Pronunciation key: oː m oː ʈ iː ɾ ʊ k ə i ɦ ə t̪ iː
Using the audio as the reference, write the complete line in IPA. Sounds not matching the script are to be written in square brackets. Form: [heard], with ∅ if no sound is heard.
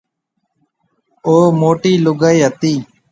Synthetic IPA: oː m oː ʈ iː [l] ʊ [ɡ] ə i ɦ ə t̪ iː